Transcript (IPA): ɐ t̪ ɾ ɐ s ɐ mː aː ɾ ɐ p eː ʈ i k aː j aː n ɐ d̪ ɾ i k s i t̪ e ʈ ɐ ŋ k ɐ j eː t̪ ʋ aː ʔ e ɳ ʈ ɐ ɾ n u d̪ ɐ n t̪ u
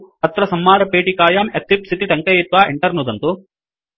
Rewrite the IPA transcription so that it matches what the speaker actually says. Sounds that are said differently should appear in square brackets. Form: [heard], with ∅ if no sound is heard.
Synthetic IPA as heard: ɐ t̪ ɾ ɐ s ɐ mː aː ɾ ɐ p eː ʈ i k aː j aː [m] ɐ [t̪] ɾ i [p] s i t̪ [i] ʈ ɐ ŋ k ɐ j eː t̪ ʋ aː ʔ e ɳ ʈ ɐ ɾ n u d̪ ɐ n t̪ u